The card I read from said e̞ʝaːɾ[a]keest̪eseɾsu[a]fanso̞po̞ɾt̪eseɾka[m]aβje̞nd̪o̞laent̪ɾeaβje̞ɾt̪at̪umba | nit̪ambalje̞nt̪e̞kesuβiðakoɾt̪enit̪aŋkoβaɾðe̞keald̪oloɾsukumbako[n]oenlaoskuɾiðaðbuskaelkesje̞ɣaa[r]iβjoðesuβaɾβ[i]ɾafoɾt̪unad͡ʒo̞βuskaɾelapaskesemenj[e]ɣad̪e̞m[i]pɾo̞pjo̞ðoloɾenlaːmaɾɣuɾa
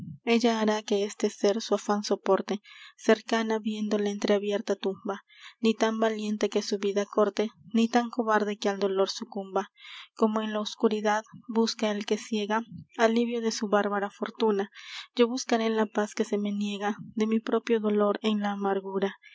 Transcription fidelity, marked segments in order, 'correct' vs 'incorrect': correct, correct, incorrect: n, incorrect: m, incorrect: l, incorrect: a, correct, correct

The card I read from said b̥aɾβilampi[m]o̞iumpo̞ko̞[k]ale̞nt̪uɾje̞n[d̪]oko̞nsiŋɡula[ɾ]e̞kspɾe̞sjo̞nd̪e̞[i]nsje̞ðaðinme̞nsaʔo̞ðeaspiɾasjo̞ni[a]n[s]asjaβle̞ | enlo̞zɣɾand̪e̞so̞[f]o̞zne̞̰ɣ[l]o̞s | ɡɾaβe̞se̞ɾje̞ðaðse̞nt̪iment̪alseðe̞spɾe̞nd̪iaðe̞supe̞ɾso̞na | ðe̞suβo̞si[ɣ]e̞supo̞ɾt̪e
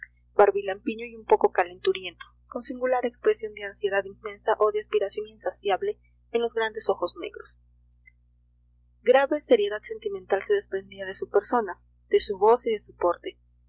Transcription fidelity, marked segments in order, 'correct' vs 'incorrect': incorrect: ɲ, correct, incorrect: t̪, correct, incorrect: a, incorrect: e, correct, incorrect: x, incorrect: ɾ, incorrect: ð

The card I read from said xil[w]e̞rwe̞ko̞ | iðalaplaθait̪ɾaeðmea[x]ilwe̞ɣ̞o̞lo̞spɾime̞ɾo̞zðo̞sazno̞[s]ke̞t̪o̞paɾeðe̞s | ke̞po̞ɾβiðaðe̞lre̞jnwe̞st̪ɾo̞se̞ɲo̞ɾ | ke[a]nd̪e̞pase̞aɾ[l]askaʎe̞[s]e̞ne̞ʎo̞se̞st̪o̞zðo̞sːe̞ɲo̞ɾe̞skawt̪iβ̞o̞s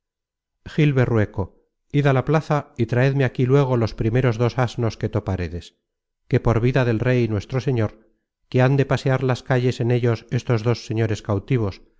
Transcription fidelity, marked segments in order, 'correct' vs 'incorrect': incorrect: β, incorrect: k, correct, correct, correct, correct

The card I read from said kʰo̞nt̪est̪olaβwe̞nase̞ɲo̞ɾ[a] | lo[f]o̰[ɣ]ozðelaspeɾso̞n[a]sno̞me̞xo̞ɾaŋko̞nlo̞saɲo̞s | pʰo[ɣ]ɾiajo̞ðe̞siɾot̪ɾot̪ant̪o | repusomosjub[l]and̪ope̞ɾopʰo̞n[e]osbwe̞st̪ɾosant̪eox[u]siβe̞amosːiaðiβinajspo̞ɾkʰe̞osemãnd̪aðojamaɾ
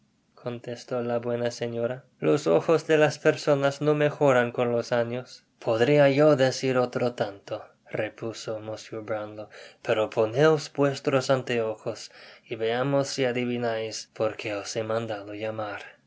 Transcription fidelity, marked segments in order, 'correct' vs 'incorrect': correct, incorrect: s, incorrect: x, correct, incorrect: ð, incorrect: ɾ, correct, incorrect: o

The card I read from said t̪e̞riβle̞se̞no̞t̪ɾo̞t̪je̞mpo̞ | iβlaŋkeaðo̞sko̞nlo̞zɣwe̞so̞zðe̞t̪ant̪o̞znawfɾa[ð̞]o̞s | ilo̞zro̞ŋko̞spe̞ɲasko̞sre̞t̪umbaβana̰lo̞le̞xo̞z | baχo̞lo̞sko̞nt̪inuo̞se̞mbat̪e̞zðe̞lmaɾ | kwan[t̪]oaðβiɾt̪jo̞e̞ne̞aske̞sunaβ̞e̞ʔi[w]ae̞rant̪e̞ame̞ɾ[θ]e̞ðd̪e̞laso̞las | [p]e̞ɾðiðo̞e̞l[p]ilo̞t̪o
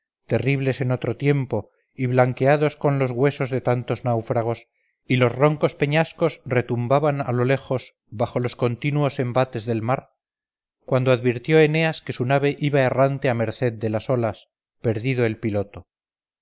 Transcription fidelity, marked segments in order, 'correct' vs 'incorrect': incorrect: ɣ̞, incorrect: d̪, incorrect: β, correct, correct, correct

